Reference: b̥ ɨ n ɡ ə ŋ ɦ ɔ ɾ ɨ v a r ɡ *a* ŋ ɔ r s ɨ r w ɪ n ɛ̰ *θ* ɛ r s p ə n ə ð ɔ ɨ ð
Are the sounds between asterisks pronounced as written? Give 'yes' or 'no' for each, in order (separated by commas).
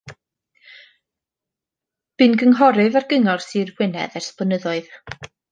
no, no